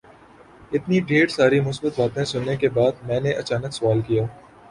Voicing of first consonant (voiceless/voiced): voiceless